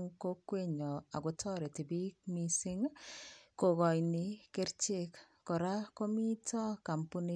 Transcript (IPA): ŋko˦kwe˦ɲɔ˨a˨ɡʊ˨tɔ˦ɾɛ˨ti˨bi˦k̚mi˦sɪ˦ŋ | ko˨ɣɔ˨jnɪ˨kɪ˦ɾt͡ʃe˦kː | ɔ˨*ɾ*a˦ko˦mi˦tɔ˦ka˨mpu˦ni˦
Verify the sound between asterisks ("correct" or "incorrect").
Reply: correct